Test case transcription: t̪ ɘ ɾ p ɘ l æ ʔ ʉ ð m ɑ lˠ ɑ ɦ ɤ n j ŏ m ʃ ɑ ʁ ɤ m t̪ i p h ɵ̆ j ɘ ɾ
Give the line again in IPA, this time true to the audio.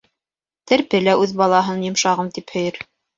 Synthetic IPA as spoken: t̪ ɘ ɾ p ɘ l æ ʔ ʉ ð b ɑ lˠ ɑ ɦ ɤ n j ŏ m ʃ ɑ ʁ ɤ m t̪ i p h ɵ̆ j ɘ ɾ